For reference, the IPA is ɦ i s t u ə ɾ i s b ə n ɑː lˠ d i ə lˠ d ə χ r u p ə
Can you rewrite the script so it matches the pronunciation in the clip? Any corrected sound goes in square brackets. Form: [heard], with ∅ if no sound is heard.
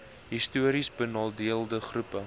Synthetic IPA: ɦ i s t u ə ɾ i s b ə n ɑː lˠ d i ə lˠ d ə χ r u p ə